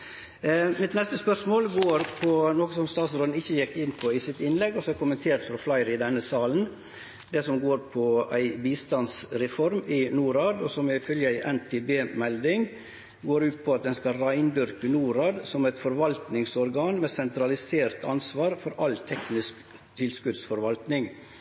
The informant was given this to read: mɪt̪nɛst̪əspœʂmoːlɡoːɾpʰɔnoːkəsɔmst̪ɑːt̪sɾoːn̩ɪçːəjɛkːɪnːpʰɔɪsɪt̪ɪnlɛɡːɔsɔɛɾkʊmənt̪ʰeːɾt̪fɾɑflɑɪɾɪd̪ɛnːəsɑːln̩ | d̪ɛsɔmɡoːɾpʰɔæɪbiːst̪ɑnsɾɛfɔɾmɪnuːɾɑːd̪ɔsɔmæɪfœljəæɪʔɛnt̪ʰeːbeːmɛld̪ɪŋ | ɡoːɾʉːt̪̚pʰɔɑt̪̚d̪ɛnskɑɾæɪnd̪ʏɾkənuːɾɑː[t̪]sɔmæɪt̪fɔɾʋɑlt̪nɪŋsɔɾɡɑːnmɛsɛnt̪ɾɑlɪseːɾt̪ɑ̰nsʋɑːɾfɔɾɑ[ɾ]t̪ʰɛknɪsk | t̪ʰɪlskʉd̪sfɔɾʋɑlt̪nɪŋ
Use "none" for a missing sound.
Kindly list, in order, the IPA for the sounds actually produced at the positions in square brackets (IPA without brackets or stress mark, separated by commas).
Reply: d̪, l